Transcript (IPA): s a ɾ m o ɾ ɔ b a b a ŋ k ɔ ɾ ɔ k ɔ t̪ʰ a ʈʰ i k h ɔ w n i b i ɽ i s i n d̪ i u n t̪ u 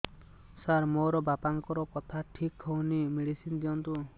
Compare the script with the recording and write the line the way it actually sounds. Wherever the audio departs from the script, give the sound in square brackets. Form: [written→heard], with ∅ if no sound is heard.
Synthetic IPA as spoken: s a ɾ m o ɾ ɔ b a [b→p] a ŋ k ɔ ɾ ɔ k ɔ t̪ʰ a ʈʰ i k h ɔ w n i [b→m] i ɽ i s i n d̪ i [u→ɔ] n t̪ u